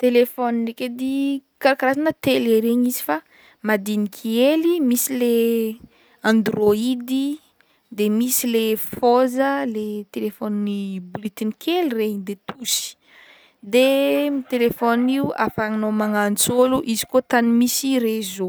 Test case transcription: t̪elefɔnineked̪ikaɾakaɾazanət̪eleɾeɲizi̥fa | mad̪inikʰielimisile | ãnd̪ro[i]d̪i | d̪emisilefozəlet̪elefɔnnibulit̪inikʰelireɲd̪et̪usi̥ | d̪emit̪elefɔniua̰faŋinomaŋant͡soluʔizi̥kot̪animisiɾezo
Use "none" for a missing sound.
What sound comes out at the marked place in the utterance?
i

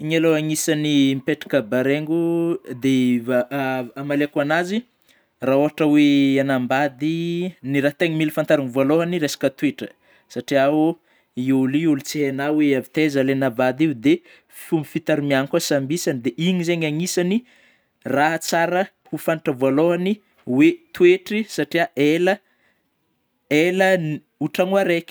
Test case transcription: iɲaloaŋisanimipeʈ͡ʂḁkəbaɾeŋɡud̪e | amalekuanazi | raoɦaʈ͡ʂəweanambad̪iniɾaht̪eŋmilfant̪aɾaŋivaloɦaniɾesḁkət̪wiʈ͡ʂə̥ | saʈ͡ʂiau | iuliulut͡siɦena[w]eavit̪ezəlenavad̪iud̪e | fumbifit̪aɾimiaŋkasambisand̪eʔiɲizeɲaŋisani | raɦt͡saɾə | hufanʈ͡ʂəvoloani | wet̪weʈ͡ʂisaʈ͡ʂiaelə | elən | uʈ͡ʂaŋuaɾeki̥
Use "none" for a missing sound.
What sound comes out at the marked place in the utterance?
w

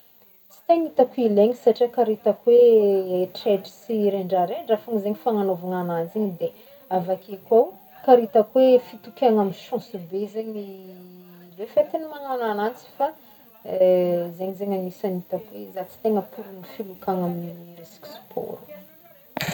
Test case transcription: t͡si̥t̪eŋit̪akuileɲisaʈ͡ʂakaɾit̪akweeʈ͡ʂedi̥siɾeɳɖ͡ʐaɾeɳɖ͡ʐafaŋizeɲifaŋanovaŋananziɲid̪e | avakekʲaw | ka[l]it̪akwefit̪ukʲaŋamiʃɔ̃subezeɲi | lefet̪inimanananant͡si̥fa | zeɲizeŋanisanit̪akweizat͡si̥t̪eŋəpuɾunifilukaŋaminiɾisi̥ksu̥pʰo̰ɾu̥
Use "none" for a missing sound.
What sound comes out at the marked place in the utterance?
ɾ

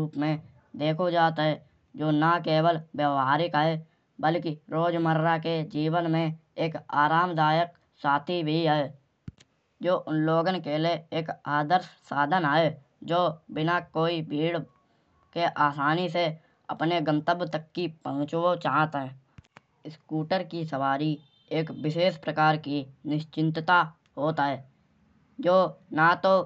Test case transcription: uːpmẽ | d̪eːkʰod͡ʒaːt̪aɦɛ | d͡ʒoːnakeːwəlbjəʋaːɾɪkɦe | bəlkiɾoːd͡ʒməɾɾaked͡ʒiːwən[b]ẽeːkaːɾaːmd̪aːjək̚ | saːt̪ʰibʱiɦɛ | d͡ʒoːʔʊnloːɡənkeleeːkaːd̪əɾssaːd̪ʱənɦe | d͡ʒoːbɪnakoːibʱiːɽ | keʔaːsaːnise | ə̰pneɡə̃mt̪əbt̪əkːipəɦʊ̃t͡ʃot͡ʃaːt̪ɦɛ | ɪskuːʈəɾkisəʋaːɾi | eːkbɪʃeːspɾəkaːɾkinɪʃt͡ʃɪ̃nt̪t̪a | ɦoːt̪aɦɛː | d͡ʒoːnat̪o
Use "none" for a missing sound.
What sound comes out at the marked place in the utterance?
m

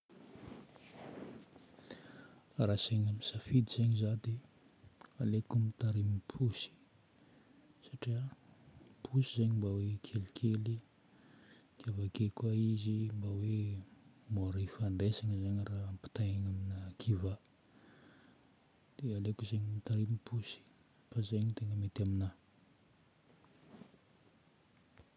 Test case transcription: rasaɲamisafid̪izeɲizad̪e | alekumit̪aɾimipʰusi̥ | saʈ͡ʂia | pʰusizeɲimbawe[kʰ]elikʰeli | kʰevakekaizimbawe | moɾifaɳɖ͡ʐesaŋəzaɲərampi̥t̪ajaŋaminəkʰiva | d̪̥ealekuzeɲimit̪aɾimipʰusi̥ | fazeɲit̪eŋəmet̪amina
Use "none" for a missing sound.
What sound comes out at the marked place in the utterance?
kʰ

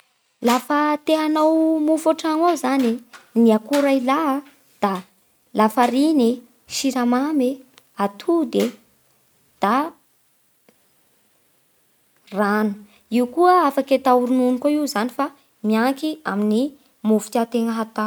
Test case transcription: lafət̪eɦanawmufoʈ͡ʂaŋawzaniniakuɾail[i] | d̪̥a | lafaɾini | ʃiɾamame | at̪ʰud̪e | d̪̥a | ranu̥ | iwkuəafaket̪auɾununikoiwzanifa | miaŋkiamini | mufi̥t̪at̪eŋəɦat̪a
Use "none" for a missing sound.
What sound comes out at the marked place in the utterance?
a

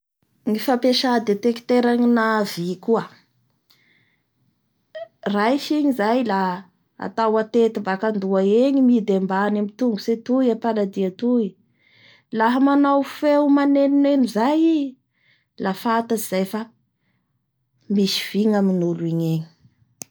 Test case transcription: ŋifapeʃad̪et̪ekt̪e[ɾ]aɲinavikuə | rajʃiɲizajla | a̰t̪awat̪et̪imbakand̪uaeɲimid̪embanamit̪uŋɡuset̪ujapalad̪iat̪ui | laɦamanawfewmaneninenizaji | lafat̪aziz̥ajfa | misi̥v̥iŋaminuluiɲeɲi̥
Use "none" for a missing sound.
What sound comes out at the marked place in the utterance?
ɾ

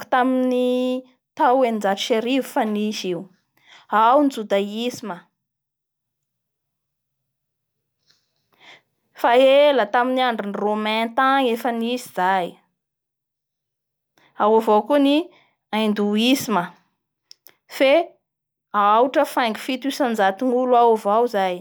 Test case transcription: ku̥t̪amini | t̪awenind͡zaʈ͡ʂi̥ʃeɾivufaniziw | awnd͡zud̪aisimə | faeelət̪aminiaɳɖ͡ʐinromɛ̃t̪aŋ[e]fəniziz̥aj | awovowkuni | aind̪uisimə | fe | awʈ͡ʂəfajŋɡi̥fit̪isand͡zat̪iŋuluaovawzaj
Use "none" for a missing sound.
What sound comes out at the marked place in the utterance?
e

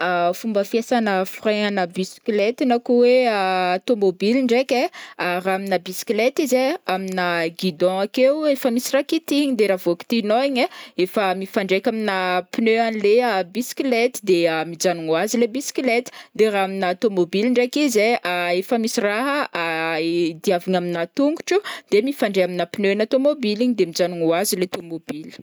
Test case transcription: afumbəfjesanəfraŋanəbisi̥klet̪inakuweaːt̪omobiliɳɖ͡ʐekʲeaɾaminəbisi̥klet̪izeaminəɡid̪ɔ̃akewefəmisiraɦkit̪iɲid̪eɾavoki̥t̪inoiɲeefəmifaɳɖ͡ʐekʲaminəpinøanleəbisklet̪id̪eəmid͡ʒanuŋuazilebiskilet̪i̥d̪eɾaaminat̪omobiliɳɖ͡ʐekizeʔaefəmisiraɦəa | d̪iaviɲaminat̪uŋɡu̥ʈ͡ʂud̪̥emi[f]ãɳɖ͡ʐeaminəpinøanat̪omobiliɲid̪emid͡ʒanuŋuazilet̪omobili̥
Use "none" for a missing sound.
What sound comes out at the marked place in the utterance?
f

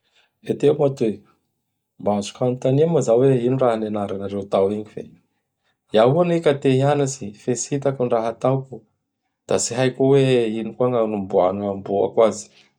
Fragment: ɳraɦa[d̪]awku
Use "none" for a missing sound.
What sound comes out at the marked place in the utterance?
t̪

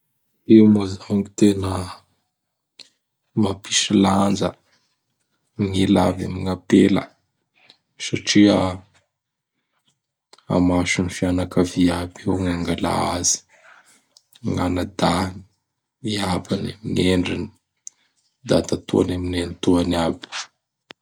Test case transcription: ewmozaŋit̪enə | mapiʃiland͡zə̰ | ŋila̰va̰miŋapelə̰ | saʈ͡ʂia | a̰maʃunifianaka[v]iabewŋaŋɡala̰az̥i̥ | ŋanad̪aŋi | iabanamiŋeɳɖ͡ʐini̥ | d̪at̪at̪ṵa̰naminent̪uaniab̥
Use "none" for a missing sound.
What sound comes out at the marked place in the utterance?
v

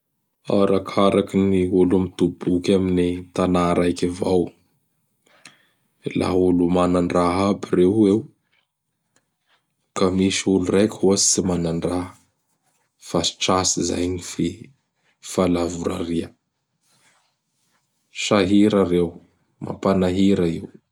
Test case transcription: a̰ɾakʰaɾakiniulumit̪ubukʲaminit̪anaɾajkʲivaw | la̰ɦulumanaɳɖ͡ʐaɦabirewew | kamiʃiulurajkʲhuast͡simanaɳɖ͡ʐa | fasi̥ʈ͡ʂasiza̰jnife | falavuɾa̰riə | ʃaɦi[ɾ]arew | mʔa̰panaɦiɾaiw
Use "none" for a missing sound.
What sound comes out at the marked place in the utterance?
ɾ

